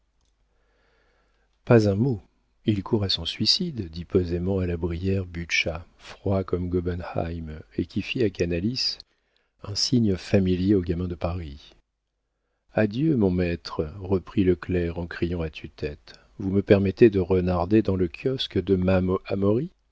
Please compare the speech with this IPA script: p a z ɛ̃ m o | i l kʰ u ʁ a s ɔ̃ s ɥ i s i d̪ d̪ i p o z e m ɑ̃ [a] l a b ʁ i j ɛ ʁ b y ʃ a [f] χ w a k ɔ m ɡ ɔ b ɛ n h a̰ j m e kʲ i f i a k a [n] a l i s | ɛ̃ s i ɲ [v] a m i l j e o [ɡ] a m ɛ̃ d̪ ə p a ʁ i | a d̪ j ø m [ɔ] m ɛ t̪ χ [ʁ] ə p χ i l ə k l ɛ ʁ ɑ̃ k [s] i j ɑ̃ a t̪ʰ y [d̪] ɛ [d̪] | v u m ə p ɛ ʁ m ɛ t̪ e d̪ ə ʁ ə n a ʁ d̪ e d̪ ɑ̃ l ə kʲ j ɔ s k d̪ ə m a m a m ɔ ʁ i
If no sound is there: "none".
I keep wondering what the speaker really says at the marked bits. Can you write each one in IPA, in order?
a, f, n, f, ɡ, ɔ̃, ʁ, χ, t̪, t̪

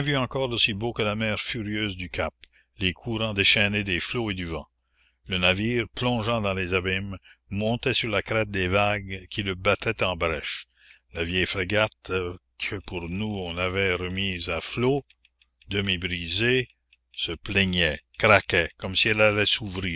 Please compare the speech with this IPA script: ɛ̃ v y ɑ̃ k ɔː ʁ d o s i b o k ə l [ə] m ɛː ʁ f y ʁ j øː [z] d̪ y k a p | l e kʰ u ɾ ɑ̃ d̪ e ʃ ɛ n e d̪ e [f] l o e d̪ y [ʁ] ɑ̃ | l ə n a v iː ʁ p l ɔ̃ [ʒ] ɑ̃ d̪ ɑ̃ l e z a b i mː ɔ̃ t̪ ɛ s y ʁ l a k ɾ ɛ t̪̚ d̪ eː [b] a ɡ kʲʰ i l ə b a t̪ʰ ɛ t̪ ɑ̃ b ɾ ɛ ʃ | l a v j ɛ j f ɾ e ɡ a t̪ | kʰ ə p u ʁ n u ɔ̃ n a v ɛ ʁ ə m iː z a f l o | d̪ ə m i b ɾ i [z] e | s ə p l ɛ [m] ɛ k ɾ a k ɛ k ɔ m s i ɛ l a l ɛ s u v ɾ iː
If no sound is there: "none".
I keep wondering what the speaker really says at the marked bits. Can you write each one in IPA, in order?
a, z, f, v, ʒ, v, z, ɲ

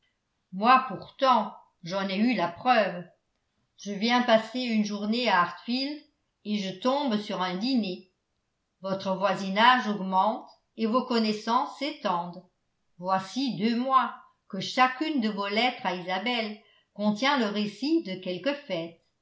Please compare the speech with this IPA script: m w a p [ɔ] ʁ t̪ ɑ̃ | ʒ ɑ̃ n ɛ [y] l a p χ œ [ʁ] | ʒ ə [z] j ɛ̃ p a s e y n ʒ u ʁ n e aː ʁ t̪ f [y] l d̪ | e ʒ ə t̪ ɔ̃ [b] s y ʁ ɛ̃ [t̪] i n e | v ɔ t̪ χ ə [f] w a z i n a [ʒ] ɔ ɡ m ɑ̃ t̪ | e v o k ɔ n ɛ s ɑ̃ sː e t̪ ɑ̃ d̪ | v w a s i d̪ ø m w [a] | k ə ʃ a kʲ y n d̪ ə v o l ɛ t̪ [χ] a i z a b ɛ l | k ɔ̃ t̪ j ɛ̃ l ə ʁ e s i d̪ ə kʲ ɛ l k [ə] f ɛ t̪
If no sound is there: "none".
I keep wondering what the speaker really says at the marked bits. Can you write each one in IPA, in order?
u, y, v, v, i, b, d̪, v, ʒ, a, χ, ə

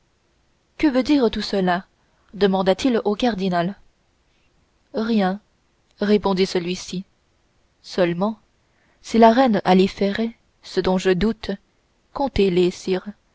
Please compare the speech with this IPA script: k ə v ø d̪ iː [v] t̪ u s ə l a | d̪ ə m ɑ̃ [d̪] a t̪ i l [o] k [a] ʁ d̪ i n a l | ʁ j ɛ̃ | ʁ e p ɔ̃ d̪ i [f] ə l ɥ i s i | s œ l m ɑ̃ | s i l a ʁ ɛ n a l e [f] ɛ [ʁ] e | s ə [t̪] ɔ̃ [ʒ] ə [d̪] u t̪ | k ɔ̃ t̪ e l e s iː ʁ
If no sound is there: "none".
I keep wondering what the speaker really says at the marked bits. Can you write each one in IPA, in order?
ʁ, d̪, o, a, s, f, ʁ, d̪, ʒ, d̪

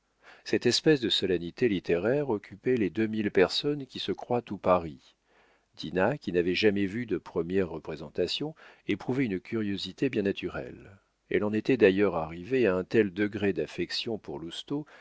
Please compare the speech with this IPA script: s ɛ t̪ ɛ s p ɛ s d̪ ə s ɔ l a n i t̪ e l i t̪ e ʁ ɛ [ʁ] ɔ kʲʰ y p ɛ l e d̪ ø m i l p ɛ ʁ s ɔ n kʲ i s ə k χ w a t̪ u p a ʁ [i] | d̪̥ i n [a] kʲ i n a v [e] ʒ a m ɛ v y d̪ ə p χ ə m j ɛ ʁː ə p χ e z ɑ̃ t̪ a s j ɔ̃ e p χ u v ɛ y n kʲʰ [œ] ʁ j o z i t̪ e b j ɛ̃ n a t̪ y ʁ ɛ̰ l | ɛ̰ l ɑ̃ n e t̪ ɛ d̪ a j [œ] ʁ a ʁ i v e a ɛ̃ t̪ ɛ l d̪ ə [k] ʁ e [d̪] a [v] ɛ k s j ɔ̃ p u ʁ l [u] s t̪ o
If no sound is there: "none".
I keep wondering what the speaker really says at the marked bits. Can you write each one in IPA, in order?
ʁ, i, a, ɛ, y, œ, ɡ, d̪, f, u

